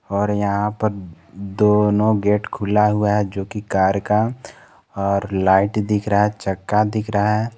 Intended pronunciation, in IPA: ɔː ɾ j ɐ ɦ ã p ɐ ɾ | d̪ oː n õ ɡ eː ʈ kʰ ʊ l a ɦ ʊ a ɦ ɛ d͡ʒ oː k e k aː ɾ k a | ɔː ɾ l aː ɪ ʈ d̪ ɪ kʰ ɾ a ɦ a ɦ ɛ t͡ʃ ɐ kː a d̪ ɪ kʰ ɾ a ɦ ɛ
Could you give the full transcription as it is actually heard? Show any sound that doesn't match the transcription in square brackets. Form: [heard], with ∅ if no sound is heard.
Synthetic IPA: ɔː ɾ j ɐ ɦ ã p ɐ ɾ | d̪ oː n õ ɡ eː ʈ kʰ ʊ l a ɦ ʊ a ɦ ɛ d͡ʒ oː k [i] k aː ɾ k a | ɔː ɾ l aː ɪ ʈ d̪ ɪ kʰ ɾ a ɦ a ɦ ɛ t͡ʃ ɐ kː a d̪ ɪ kʰ ɾ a ɦ ɛ